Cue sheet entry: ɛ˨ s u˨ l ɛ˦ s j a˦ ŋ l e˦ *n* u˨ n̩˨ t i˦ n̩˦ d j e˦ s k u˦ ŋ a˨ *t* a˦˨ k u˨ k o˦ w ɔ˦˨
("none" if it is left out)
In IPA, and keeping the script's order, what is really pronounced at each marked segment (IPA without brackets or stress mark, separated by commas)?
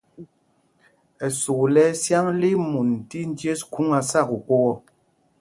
m, s